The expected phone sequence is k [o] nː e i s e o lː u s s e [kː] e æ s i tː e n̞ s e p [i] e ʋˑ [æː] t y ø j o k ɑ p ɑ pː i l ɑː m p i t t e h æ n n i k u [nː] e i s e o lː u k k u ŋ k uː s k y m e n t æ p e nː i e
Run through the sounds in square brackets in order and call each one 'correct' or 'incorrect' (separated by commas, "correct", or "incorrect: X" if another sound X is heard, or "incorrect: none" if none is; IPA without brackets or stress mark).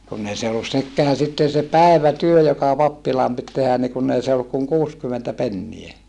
incorrect: u, correct, incorrect: æ, incorrect: æ, correct